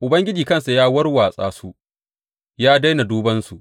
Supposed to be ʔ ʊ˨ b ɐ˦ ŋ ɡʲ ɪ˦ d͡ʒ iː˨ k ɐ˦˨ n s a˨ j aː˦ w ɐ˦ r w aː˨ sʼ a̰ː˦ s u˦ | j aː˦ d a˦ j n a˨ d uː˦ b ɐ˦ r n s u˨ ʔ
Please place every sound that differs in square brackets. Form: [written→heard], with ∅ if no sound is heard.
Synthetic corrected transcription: ʔ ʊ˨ b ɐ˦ ŋ ɡʲ ɪ˦ d͡ʒ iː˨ k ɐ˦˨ n s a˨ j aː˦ w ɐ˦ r w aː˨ sʼ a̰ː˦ s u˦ | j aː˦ d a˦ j n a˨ d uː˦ b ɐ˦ [r→∅] n s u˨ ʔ